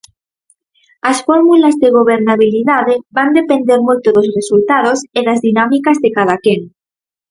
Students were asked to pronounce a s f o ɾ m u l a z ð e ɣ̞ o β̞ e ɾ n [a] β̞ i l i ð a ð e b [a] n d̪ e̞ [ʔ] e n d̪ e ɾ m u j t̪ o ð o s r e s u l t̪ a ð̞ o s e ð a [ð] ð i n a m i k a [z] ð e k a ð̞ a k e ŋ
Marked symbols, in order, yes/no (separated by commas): yes, yes, no, no, yes